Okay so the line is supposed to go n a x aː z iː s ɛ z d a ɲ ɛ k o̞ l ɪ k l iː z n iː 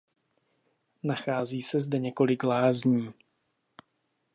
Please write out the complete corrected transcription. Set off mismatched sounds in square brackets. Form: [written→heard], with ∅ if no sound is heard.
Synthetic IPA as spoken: n a x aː z iː s ɛ z d [a→ɛ] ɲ ɛ k o̞ l ɪ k l [iː→aː] z [n→ɲ] iː